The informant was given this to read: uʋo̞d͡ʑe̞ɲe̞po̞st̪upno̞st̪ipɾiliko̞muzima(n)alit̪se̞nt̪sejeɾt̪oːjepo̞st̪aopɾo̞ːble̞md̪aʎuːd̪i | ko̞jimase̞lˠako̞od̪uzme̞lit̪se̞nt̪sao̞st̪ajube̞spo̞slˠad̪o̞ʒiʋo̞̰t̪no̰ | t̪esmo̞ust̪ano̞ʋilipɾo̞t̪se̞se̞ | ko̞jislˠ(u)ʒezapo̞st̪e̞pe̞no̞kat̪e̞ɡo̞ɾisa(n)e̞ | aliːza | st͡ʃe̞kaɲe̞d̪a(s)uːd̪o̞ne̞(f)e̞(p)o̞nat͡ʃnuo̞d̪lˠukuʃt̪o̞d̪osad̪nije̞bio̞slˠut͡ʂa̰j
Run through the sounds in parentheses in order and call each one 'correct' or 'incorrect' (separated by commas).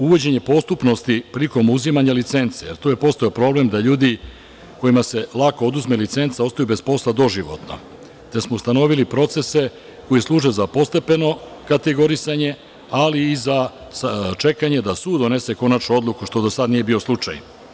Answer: incorrect, incorrect, incorrect, correct, incorrect, incorrect